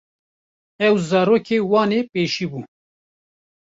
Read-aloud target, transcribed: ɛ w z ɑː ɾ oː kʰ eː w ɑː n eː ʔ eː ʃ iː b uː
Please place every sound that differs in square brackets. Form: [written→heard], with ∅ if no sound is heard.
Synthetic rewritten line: ɛ w z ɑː ɾ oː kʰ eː w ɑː n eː [ʔ→p] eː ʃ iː b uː